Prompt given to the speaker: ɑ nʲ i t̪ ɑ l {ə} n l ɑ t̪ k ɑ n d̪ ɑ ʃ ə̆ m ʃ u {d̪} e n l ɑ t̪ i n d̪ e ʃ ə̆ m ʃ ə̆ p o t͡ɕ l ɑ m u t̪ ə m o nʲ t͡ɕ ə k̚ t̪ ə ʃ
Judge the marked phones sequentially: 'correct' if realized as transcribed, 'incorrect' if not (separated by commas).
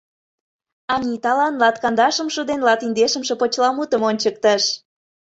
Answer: incorrect, correct